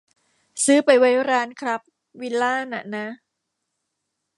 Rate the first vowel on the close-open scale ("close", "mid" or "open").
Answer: close